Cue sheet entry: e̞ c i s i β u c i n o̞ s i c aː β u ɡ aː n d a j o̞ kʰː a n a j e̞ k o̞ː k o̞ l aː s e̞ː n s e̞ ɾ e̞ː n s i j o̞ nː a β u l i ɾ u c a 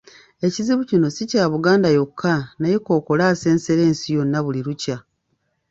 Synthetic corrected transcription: e̞ c i z i β u c i n o̞ s i c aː β u ɡ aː n d a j o̞ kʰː a n a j e̞ k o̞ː k o̞ l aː s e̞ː n s e̞ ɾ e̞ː n s i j o̞ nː a β u l i ɾ u c a